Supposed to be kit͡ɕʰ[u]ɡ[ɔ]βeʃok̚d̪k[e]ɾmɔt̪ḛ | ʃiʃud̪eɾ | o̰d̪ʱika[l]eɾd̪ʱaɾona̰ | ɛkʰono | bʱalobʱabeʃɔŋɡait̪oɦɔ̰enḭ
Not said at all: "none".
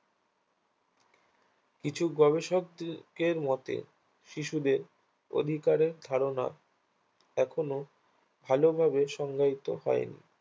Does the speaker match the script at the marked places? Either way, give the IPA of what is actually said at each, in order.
u, ɔ, e, ɾ

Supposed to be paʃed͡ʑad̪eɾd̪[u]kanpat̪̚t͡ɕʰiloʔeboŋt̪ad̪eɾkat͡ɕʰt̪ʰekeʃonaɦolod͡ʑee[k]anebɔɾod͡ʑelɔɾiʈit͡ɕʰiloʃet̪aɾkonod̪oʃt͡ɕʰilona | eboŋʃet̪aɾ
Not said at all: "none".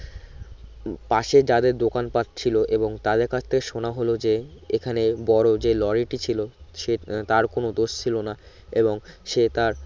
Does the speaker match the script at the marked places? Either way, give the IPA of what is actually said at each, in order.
o, kʰ

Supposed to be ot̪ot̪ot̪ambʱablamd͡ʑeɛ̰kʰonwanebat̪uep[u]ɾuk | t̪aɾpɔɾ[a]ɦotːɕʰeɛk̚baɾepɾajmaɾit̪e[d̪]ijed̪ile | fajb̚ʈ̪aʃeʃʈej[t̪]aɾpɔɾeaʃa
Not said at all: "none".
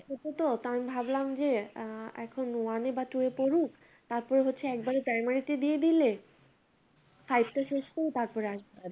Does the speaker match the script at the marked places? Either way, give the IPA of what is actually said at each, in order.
o, e, d̪, t̪

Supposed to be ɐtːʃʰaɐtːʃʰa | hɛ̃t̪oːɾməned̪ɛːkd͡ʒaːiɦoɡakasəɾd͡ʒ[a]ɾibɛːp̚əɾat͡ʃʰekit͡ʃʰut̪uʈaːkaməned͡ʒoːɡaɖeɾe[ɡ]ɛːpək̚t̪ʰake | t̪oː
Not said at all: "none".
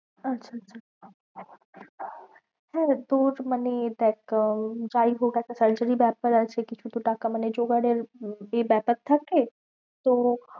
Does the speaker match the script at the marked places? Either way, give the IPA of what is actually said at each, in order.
ə, b

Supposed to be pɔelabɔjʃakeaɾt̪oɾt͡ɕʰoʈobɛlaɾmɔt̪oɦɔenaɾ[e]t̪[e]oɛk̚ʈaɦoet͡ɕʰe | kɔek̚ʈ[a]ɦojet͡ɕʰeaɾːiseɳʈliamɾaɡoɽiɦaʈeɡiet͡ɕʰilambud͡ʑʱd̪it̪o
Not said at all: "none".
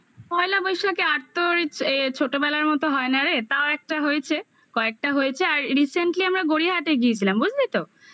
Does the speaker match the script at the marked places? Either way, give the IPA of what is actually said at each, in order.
e, a, a

